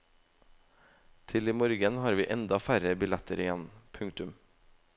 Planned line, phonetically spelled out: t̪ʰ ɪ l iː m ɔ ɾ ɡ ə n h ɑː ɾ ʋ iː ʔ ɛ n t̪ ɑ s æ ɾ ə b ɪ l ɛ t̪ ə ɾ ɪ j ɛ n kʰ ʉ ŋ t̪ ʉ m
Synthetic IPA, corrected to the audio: t̪ʰ ɪ l iː m ɔ ɾ ɡ ə n h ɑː ɾ ʋ iː ʔ ɛ n d̪ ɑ f æ ɾ ə b ɪ l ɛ t̪ ə ɾ ɪ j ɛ n pʰ ʉ ŋ t̪ ʉ m